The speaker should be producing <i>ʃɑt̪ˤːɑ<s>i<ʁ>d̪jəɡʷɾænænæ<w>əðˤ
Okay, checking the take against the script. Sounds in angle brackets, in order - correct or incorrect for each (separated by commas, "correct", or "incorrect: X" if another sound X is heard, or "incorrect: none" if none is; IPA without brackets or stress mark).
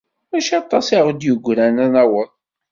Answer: incorrect: æ, correct, correct, correct